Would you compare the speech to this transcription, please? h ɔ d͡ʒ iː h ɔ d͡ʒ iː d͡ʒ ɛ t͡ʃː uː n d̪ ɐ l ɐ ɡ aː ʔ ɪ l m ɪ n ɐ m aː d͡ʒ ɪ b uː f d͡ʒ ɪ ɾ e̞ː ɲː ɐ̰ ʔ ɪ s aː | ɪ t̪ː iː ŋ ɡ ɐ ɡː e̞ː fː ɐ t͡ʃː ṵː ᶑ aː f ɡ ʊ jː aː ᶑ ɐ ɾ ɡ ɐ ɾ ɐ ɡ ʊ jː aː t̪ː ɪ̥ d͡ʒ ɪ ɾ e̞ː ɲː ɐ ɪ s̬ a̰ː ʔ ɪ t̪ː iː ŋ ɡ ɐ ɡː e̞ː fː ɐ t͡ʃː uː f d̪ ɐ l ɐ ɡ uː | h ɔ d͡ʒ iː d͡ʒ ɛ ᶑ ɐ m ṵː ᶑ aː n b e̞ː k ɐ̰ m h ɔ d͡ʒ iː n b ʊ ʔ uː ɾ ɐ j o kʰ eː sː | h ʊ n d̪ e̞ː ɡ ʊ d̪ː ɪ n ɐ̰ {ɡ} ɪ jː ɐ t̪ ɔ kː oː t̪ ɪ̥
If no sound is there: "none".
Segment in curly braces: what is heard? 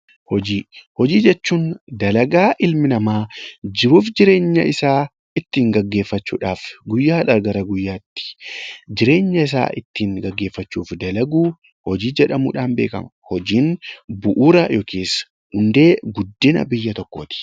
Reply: b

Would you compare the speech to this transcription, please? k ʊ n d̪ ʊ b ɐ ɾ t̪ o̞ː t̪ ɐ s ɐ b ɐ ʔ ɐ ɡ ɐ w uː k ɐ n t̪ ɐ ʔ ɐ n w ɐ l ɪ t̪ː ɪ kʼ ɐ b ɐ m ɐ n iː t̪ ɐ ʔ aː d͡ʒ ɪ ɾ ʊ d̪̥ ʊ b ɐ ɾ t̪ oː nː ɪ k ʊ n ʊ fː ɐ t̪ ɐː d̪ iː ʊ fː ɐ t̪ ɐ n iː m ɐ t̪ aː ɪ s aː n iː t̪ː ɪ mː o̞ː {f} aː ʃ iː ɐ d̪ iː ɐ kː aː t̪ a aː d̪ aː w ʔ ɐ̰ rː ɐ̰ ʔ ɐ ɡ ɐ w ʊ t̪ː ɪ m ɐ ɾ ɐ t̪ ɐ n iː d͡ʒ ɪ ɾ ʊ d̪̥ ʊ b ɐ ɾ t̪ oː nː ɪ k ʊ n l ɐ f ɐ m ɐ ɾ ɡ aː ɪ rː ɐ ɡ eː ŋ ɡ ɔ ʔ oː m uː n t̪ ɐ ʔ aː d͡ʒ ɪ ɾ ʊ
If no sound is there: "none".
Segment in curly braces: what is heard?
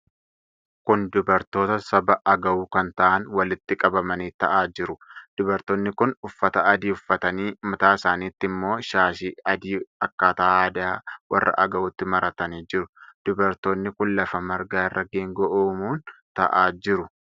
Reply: ʃ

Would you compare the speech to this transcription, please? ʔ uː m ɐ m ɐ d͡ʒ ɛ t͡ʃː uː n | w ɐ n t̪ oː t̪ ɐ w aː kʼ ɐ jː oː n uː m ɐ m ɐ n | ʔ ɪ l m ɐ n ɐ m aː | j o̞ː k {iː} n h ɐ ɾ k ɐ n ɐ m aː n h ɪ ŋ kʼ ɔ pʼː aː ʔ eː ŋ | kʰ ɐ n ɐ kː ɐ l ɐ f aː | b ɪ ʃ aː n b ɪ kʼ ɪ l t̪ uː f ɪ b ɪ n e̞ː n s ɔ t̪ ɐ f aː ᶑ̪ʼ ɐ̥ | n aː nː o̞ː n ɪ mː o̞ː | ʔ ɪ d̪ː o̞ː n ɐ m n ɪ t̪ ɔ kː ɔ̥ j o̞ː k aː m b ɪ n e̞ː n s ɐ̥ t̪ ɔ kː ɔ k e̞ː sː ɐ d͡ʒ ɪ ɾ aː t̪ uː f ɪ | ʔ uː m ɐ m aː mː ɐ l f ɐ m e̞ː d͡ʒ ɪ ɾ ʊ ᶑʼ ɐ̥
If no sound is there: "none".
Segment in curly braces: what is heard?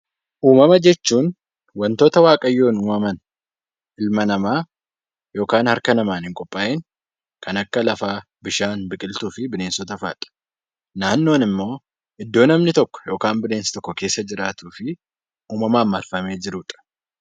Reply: aː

